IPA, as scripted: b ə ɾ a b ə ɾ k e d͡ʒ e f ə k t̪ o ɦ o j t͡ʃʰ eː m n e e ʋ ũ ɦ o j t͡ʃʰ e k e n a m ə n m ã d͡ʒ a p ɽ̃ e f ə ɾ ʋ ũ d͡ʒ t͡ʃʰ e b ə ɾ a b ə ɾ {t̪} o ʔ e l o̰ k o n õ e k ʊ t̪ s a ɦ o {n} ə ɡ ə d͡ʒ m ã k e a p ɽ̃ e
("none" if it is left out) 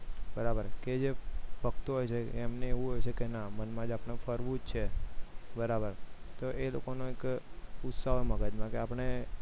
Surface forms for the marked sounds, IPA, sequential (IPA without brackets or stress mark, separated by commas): t̪, m